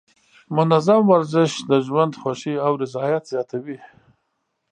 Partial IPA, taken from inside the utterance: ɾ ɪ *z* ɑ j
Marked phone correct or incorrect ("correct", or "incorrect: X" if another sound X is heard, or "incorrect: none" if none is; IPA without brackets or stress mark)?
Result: correct